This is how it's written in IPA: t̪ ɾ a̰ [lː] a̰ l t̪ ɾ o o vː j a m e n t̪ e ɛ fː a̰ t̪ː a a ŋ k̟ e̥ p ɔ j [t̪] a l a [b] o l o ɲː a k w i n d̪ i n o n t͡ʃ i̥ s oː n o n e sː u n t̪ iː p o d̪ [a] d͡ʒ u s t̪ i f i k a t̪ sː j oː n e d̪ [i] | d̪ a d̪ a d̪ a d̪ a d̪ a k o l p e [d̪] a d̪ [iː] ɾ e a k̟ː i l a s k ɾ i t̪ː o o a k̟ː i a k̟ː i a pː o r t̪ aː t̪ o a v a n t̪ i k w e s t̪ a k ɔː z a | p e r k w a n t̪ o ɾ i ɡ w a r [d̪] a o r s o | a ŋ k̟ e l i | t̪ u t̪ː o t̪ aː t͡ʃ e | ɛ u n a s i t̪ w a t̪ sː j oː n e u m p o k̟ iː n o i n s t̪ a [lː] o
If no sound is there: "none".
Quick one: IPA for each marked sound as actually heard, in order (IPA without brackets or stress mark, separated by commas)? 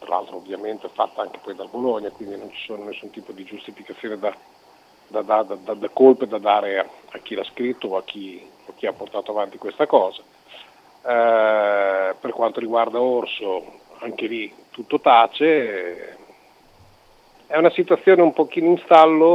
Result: l, d̪, b, i, a, d̪, aː, d̪, lː